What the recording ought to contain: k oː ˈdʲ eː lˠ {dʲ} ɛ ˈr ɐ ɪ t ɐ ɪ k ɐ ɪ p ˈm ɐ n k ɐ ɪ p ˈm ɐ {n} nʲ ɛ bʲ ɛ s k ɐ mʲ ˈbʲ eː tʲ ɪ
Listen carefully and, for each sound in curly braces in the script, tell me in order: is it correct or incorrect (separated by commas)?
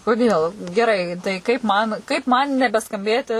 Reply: incorrect, correct